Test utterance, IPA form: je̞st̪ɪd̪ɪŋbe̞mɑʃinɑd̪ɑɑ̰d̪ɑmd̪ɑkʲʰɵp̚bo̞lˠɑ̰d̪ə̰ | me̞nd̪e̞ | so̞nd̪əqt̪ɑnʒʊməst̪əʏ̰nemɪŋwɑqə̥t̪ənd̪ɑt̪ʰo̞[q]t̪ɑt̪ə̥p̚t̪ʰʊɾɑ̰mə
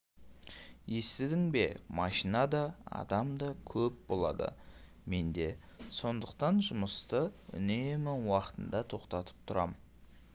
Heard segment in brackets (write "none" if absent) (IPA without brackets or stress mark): q